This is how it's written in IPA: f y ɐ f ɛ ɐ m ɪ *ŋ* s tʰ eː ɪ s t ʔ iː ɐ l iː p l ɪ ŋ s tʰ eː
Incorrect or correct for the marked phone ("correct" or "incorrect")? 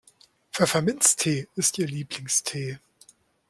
incorrect